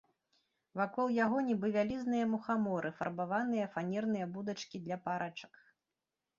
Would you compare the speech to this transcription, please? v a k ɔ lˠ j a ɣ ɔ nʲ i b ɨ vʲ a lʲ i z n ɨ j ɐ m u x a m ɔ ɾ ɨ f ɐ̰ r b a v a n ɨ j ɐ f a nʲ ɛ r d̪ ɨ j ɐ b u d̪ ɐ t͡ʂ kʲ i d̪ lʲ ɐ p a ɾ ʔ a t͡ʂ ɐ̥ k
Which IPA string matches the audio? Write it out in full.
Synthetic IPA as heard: v a k ɔ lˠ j a ɣ ɔ nʲ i b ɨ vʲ a lʲ i z n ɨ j ɐ m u x a m ɔ ɾ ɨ f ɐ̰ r b a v a n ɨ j ɐ f a nʲ ɛ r n̪ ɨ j ɐ b u d̪ ɐ t͡ʂ kʲ i d̪ lʲ ɐ p a ɾ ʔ a t͡ʂ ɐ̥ k